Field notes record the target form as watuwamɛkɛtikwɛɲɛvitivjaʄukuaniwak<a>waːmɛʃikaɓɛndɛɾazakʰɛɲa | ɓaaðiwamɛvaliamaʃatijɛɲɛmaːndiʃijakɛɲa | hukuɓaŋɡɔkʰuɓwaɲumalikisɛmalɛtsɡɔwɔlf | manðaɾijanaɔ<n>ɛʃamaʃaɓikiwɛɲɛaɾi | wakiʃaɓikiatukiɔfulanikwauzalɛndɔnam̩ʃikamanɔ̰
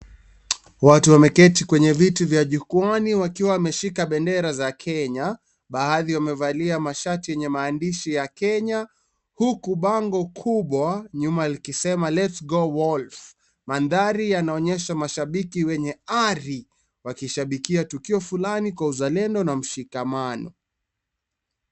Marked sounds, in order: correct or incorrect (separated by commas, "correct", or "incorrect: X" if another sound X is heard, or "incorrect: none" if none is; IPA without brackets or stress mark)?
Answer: incorrect: i, incorrect: ɲ